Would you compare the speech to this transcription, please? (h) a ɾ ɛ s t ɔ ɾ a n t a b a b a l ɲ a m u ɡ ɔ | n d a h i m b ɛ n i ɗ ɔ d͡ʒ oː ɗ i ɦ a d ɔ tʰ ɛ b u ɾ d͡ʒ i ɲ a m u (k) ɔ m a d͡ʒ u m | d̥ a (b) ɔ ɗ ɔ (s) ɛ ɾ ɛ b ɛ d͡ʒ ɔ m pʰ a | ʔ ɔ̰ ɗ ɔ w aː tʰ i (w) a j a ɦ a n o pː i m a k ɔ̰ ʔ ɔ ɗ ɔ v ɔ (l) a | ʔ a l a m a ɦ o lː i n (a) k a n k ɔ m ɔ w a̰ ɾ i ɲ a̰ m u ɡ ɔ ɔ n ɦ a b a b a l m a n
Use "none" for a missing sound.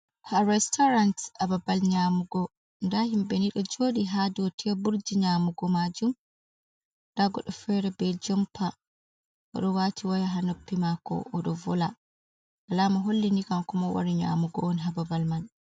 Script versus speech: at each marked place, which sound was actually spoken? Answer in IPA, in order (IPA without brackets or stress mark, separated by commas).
h, ɡ, ɡ, f, w, l, i